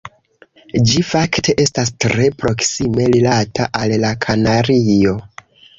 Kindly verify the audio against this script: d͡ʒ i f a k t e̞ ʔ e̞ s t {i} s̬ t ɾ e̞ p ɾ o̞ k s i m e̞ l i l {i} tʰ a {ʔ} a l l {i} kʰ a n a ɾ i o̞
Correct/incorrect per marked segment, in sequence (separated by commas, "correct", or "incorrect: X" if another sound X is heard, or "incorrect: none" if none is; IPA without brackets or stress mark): incorrect: a, incorrect: a, correct, incorrect: a